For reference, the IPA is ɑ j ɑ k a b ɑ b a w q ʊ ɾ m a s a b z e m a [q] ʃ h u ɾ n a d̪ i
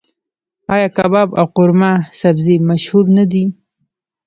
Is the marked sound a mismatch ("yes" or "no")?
yes